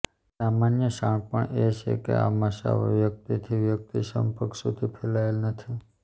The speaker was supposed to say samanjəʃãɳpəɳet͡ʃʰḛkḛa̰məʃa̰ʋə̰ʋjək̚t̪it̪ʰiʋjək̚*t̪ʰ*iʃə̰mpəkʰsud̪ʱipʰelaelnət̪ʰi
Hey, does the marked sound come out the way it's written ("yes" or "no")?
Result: no